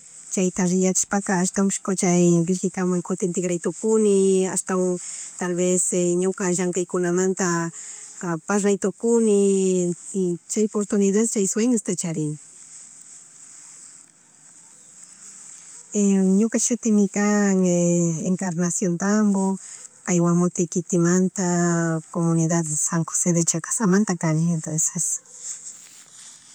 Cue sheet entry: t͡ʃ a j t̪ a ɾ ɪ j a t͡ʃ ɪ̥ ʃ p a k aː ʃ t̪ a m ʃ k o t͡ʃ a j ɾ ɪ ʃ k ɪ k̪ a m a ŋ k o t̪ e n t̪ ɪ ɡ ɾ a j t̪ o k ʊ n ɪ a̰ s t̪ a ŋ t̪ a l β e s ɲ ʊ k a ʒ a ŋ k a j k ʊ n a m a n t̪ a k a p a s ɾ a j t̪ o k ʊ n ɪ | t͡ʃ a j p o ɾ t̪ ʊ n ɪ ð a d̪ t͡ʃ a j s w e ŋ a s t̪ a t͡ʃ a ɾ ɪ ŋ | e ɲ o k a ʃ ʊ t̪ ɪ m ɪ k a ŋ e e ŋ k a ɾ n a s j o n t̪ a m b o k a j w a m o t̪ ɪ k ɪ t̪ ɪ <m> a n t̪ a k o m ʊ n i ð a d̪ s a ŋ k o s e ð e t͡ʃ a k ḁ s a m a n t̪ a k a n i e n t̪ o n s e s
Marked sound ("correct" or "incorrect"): correct